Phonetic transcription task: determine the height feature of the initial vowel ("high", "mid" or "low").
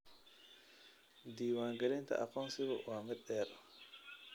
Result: high